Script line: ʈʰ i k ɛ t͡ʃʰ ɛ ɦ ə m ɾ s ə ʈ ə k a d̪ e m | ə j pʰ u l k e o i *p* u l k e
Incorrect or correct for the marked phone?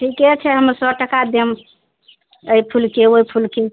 incorrect: pʰ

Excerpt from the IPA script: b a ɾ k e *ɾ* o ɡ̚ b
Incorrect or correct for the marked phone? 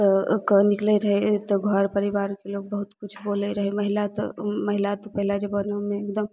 incorrect: l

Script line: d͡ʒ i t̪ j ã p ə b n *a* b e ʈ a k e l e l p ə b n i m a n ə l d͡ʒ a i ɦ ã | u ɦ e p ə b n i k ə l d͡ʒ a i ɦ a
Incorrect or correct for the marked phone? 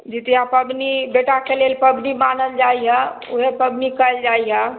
incorrect: i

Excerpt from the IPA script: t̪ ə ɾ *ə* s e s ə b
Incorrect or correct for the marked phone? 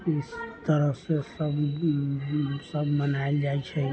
correct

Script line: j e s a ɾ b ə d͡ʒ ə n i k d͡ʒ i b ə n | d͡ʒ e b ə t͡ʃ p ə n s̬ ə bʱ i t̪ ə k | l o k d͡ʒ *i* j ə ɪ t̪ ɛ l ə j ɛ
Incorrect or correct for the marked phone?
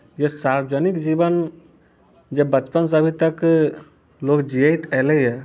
correct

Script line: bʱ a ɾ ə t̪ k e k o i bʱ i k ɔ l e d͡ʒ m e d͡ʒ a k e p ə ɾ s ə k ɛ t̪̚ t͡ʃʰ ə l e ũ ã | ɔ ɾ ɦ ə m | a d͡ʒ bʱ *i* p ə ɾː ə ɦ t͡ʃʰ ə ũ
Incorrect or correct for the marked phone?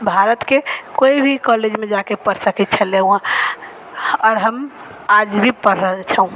correct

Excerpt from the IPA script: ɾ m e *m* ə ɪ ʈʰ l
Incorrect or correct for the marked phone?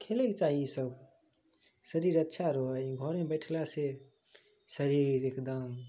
incorrect: b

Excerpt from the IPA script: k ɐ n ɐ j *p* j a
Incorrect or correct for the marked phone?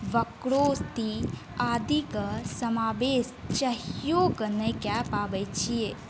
incorrect: k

